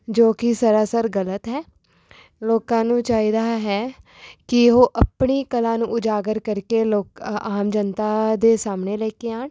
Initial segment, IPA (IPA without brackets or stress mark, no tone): d͡ʒ